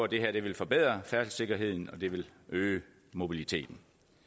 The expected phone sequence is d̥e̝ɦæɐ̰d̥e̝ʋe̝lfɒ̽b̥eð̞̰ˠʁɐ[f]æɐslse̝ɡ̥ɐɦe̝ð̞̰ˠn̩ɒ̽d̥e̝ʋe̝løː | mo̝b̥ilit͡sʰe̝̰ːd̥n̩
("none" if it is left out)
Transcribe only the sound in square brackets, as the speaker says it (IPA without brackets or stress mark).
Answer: f